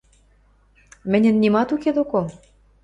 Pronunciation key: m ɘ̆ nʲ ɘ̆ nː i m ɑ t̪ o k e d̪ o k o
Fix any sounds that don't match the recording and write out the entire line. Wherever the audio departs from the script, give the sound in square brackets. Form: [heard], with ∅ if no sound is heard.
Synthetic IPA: m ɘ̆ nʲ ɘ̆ nː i m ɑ t̪ [u] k e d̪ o k o